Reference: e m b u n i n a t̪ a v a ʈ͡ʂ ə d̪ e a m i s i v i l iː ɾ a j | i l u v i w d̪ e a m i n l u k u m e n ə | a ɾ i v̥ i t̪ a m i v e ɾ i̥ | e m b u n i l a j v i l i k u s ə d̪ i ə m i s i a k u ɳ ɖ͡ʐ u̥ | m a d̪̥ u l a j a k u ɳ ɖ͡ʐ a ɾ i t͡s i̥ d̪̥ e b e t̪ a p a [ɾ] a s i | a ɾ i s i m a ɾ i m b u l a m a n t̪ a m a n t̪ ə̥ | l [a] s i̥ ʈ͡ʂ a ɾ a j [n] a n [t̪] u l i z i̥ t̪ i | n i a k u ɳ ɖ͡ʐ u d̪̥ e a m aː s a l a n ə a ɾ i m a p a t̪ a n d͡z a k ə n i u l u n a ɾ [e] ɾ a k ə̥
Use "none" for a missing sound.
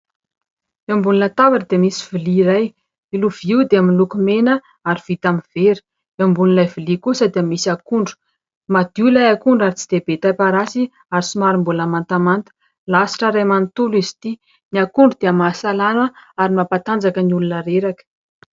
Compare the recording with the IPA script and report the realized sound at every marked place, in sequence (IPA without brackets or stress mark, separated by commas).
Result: ɾ, a, m, t̪, e